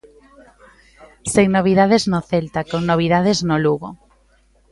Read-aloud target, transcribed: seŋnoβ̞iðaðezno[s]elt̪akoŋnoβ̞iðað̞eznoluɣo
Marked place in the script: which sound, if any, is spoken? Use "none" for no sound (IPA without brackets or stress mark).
θ